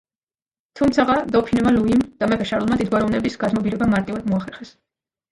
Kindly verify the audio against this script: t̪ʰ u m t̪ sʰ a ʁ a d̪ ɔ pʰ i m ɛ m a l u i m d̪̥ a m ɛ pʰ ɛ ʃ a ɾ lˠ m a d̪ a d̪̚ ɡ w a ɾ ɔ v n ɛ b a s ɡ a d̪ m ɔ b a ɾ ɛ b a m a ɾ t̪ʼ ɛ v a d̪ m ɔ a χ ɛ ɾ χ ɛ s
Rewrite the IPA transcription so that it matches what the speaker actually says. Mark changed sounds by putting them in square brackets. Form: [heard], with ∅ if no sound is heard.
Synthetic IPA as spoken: t̪ʰ u m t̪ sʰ a ʁ a d̪ ɔ pʰ i [n] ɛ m a l u i m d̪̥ a m ɛ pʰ ɛ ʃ a ɾ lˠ m a d̪ [i] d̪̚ ɡ w a ɾ ɔ v n ɛ b [i] s ɡ a d̪ m ɔ b [i] ɾ ɛ b a m a ɾ t̪ʼ [i] v a d̪ m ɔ a χ ɛ ɾ χ ɛ s